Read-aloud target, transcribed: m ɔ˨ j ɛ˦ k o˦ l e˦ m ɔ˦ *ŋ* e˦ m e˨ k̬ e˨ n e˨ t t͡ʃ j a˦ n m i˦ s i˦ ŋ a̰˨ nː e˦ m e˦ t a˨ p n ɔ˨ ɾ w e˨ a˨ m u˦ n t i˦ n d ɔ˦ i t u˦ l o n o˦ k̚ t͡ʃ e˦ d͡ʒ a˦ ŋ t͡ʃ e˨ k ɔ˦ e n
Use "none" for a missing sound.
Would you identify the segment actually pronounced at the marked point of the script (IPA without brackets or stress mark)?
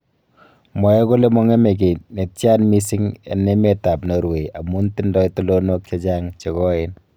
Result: ŋ